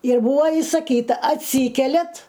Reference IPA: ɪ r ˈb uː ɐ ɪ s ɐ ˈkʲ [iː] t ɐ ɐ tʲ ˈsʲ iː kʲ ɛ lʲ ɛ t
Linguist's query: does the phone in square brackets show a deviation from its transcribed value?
no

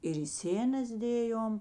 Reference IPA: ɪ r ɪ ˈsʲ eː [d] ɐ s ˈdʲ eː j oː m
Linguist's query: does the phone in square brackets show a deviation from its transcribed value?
yes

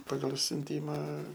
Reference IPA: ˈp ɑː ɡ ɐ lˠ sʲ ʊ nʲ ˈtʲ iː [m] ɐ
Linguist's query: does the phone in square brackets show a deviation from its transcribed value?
no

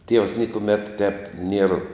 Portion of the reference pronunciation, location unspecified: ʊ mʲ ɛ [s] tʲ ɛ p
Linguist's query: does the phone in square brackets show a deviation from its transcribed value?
yes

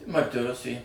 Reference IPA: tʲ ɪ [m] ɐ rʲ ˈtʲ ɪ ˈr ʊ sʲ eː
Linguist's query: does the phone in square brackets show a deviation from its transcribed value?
no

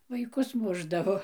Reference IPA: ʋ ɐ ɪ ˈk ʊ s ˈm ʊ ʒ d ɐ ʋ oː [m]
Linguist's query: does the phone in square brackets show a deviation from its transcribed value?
yes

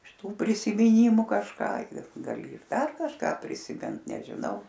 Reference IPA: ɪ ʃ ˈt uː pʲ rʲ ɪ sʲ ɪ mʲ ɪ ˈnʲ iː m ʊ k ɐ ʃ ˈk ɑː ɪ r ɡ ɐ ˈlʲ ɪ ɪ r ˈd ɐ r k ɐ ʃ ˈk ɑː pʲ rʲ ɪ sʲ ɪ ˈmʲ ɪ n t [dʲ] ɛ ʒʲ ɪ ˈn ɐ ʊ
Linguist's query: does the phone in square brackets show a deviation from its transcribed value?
yes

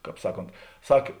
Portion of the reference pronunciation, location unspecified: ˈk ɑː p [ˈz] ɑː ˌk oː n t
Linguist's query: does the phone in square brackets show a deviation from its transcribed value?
yes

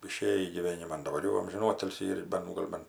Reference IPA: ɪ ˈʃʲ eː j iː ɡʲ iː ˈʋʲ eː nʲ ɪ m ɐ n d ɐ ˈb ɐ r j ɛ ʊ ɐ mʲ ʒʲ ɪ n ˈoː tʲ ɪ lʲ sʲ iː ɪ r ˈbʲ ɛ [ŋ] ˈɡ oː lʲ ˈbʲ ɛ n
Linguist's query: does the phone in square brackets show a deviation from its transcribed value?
yes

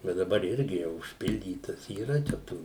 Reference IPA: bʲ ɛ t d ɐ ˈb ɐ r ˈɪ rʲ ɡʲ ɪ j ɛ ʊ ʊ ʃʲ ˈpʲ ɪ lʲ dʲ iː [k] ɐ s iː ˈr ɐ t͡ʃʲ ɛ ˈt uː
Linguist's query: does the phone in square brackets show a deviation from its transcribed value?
yes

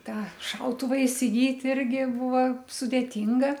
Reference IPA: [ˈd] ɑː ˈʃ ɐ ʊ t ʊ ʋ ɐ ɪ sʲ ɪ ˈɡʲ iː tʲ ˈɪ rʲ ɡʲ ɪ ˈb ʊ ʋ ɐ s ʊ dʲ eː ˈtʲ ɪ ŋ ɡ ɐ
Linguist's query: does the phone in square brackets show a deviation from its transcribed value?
yes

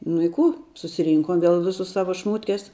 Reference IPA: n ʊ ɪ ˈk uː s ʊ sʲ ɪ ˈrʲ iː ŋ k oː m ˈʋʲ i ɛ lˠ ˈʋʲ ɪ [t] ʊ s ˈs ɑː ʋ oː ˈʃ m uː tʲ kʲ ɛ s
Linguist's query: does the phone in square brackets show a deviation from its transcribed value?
yes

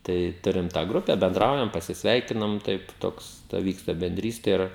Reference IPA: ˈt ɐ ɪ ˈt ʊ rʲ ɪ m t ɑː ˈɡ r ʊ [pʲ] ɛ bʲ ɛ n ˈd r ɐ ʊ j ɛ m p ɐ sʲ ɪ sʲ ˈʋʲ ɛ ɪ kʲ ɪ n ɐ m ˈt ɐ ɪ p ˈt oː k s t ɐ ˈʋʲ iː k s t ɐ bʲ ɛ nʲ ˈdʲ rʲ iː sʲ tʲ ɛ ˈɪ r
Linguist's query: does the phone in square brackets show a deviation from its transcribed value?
no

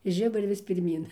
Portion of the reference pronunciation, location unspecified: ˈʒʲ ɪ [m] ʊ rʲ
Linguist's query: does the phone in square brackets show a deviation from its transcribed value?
yes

